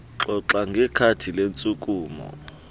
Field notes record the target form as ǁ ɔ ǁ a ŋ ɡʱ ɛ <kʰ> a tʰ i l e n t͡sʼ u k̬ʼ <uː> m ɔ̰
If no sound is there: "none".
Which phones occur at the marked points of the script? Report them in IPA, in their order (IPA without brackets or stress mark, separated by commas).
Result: kʰ, uː